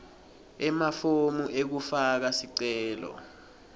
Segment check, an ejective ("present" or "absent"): absent